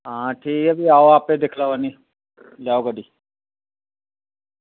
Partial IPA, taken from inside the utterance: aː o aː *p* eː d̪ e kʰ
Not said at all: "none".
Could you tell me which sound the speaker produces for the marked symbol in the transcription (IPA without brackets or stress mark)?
p